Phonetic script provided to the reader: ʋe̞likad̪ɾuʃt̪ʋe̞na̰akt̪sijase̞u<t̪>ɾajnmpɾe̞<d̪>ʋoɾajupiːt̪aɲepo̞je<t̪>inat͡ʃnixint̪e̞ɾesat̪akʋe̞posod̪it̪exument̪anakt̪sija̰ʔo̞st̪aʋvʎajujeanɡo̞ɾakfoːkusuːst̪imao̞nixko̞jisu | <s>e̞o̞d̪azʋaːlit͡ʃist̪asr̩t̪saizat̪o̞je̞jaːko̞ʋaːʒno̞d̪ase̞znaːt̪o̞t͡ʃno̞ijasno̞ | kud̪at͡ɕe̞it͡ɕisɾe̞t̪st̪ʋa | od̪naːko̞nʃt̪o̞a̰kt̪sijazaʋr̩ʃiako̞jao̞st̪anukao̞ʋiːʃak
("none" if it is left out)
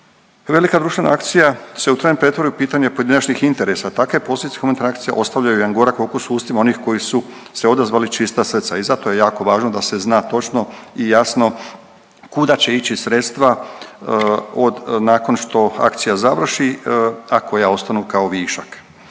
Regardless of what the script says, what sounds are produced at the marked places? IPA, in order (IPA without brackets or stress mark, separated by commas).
t̪, t̪, d̪, s